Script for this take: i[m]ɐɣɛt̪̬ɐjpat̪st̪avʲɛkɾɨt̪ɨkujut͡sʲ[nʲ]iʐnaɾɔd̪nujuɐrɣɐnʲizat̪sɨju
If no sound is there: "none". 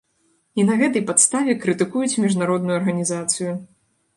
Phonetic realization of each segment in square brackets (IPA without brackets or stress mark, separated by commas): n, mʲ